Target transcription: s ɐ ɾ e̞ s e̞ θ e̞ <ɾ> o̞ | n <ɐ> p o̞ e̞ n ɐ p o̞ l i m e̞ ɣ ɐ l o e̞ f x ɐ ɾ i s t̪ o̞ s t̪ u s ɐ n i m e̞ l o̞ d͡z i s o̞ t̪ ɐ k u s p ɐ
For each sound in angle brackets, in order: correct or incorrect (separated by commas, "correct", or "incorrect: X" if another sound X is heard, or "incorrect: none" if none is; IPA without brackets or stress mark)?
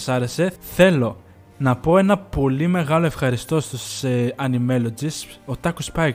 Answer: incorrect: l, correct